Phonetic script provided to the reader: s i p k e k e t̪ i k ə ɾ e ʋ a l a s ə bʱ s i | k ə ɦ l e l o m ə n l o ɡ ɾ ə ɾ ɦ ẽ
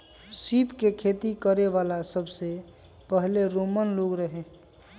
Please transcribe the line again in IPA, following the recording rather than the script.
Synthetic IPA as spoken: s i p k e kʰ e t̪ i k ə ɾ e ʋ a l a s ə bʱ s e | p ə ɦ l e ɾ o m ə n l o ɡ ɾ ə ɦ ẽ